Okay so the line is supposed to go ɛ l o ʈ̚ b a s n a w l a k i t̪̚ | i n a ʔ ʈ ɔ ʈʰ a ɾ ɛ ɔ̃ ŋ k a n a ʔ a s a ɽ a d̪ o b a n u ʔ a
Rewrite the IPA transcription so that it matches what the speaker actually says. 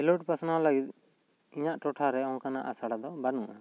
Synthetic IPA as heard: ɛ l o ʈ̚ p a s n a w l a ɡ i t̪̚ | i ɲ a ʔ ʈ ɔ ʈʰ a ɾ ɛ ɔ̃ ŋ k a n a ʔ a s a ɽ a d̪ ɔ b a n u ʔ a